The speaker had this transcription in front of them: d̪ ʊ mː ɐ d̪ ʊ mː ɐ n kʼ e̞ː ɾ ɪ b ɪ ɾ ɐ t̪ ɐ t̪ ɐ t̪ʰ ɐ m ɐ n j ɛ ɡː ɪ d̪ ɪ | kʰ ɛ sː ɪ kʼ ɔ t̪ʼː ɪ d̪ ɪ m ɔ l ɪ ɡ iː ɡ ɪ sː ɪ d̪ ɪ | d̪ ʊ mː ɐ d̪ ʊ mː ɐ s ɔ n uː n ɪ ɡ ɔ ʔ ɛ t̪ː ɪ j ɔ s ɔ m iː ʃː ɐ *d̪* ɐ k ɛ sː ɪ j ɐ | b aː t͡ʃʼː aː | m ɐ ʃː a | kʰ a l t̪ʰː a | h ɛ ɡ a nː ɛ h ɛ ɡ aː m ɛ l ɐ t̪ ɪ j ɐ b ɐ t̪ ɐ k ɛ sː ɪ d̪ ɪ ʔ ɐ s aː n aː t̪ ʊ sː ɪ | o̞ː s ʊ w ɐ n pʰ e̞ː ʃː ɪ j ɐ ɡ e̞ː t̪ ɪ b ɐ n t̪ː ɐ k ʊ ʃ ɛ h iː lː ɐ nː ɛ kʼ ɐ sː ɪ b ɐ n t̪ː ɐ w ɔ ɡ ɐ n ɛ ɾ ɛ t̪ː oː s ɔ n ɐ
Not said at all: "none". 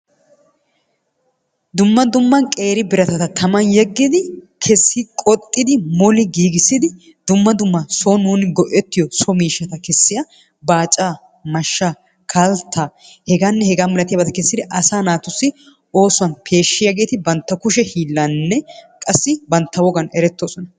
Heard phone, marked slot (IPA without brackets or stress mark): t̪